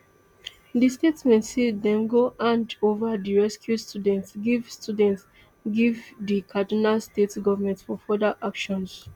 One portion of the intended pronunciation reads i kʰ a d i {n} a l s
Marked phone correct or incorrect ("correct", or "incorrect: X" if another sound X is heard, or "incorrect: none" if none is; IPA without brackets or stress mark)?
correct